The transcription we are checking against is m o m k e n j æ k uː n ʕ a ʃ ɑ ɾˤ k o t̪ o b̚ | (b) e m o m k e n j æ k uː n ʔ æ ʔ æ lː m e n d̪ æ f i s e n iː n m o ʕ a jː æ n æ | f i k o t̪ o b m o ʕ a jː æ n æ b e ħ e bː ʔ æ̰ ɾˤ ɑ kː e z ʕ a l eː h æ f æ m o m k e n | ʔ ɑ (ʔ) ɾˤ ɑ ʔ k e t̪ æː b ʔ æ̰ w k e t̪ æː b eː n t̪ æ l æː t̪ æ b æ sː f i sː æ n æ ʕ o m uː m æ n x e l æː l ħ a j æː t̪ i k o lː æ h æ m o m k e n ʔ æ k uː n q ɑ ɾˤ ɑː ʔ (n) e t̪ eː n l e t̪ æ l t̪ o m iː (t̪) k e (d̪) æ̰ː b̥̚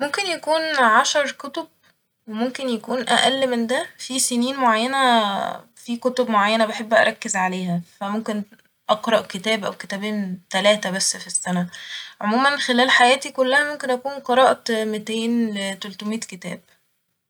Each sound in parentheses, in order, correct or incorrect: incorrect, incorrect, incorrect, correct, incorrect

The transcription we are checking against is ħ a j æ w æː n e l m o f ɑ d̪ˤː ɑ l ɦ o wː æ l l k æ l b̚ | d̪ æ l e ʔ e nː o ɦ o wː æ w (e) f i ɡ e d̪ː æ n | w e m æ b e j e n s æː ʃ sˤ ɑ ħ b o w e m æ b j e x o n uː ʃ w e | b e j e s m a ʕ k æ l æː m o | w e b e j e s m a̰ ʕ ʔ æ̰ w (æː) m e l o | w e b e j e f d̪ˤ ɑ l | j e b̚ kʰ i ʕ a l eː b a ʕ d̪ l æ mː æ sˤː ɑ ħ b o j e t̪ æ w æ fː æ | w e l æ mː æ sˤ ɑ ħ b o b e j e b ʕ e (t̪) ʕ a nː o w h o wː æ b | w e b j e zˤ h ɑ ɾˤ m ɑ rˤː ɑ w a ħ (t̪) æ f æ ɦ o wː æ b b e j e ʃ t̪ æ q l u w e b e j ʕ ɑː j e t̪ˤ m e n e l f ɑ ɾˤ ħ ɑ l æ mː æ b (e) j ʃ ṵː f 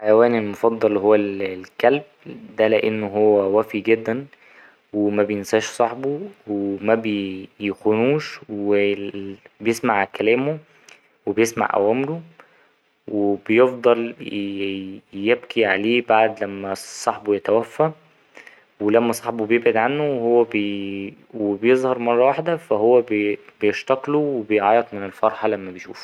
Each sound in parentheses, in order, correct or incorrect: incorrect, correct, incorrect, incorrect, correct

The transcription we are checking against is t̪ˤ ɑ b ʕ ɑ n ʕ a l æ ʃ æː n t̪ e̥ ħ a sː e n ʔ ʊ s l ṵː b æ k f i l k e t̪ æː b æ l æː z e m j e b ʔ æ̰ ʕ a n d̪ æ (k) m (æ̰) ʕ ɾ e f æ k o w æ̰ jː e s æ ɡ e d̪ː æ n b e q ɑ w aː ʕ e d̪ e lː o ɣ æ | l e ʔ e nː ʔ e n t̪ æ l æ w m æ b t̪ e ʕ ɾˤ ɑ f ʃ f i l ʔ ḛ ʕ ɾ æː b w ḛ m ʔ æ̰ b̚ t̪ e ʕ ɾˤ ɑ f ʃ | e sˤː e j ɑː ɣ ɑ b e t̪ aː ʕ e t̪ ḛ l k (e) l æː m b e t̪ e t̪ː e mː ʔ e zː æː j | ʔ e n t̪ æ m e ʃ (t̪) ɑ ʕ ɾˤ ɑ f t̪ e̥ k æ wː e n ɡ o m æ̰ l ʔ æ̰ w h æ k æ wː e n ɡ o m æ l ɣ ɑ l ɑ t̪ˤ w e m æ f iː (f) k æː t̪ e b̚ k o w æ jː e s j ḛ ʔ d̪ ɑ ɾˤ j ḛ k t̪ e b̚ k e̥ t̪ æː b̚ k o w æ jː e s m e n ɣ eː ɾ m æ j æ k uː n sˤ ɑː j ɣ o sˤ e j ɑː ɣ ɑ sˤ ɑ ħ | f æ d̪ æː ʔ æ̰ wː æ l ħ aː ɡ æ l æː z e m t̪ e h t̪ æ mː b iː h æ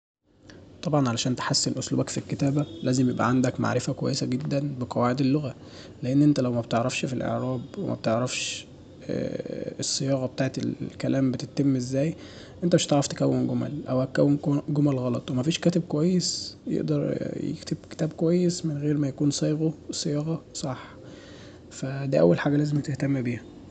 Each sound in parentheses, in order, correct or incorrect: correct, incorrect, incorrect, correct, incorrect

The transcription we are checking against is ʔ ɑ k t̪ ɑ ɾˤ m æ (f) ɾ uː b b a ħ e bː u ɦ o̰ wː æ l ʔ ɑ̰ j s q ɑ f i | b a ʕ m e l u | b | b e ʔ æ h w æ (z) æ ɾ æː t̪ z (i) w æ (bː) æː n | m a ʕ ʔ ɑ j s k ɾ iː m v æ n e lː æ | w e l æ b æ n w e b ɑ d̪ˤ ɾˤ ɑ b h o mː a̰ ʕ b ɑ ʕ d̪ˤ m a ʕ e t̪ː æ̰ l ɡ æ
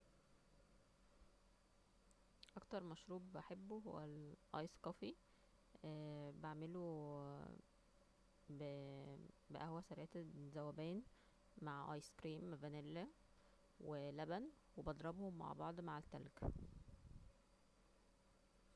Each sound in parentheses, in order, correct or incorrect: incorrect, incorrect, incorrect, incorrect

